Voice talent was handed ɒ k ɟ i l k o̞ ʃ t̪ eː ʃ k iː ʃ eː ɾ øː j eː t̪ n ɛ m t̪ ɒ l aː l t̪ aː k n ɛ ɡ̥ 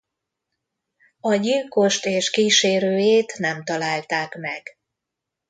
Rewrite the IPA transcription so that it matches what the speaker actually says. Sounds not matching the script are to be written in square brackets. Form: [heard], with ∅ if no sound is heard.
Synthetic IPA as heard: ɒ [∅] ɟ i l k o̞ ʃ t̪ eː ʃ k iː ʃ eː ɾ øː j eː t̪ n ɛ m t̪ ɒ l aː l t̪ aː k [m] ɛ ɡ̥